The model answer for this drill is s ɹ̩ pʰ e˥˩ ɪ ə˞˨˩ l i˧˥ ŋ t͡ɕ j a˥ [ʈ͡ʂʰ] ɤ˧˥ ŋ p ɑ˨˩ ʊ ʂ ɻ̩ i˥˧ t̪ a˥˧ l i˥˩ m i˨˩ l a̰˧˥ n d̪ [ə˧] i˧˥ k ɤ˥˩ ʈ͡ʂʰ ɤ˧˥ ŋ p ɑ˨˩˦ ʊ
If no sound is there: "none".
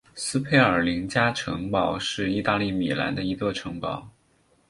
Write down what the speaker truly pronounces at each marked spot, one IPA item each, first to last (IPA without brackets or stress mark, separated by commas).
ʈ͡ʂʰ, ə˧